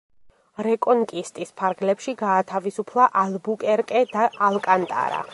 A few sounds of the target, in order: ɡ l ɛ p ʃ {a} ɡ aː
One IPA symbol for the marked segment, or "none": i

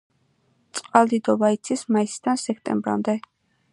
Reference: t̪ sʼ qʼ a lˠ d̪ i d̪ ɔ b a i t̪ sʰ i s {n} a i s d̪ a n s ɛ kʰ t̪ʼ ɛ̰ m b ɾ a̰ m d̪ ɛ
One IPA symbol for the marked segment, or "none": m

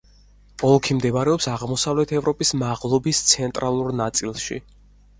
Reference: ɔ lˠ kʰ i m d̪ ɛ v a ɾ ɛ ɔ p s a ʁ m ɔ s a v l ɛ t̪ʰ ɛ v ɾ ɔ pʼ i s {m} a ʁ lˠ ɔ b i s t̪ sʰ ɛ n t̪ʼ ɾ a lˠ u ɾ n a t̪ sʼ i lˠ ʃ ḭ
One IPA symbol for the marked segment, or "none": m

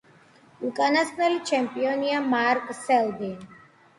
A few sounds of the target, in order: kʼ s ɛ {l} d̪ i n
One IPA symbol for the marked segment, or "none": l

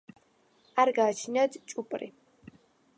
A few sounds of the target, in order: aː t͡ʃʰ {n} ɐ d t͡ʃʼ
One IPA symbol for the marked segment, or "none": n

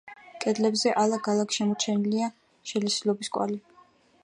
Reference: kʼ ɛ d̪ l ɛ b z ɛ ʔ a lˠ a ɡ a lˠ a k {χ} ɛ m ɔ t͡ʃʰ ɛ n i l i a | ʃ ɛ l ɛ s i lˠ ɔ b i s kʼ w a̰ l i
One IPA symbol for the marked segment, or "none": ʃ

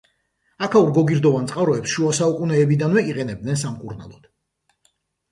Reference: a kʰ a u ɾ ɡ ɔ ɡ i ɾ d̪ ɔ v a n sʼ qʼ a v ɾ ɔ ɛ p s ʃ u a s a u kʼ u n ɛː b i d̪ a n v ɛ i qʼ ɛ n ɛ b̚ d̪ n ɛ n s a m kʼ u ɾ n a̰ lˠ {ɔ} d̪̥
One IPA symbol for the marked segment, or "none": ɔ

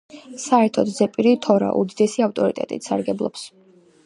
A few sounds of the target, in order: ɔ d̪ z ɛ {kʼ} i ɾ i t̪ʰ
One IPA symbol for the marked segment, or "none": pʼ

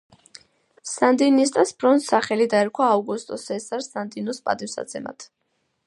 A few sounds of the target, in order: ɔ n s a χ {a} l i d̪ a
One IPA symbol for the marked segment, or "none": ɛ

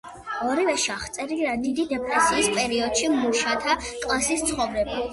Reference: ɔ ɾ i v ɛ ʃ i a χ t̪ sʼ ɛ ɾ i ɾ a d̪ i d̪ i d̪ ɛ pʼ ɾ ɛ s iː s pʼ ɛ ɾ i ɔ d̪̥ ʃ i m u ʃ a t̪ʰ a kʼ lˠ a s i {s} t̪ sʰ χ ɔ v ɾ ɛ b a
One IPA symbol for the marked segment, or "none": s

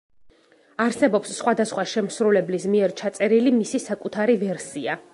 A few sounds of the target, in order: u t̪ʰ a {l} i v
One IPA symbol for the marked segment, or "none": ɾ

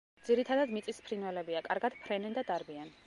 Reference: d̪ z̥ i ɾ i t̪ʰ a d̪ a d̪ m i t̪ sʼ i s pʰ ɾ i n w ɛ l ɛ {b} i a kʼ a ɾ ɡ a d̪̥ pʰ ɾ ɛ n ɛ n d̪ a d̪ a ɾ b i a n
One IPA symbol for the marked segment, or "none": b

